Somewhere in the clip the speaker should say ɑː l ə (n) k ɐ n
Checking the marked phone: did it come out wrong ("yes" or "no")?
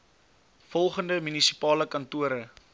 yes